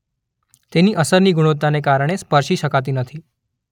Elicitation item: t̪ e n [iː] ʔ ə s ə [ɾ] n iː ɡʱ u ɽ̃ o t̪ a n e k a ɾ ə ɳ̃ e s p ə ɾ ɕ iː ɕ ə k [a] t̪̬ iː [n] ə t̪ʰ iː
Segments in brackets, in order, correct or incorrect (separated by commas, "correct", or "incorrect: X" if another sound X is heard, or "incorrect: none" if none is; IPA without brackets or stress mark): correct, correct, correct, correct